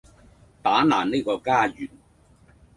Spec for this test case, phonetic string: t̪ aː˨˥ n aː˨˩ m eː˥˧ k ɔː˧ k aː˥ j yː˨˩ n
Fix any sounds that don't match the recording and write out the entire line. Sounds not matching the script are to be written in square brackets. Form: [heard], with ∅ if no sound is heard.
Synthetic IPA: t̪ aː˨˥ n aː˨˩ [n] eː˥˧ k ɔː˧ k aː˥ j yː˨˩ n